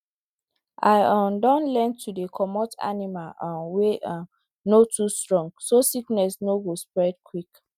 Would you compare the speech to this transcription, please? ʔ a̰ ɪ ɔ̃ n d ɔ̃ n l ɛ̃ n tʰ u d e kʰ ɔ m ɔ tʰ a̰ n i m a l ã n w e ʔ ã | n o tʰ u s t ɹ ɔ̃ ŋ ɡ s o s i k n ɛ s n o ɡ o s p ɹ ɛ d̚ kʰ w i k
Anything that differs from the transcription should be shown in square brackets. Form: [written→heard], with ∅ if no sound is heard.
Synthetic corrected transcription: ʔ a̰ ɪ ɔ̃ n d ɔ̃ n l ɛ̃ n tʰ u d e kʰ ɔ m ɔ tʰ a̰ n i m a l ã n w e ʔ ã | n o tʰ u s t ɹ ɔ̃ ŋ ɡ s o s i k n ɛ s n o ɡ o s p ɹ ɛ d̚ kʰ w i k